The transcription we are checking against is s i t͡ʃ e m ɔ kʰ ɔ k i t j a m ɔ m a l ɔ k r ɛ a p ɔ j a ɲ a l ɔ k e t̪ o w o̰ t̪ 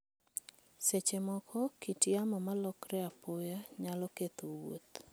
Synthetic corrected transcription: s e t͡ʃ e m ɔ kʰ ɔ k i t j a m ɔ m a l ɔ k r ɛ a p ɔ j a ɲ a l ɔ k e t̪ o w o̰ t̪